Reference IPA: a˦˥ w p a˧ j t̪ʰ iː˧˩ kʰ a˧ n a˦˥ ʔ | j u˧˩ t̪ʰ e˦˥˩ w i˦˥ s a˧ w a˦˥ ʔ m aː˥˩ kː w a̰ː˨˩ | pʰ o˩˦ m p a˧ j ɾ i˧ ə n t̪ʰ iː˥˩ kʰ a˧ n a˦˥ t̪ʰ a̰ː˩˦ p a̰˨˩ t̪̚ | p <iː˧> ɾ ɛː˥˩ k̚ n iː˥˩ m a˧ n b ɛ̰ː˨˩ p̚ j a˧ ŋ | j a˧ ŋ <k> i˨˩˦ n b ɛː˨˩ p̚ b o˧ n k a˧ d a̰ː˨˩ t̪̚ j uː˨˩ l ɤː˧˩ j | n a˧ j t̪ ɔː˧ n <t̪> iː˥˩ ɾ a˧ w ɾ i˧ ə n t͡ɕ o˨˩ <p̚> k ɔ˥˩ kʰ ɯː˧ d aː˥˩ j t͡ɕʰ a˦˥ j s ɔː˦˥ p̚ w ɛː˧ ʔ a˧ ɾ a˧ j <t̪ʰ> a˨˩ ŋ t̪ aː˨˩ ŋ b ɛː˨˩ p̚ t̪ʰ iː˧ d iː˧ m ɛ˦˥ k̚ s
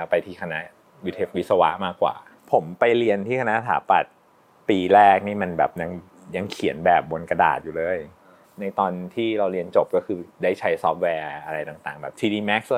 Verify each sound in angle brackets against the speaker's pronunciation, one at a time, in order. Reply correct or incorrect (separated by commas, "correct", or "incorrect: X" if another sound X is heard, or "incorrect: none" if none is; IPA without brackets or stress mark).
correct, incorrect: kʰ, incorrect: t̪ʰ, correct, incorrect: t̪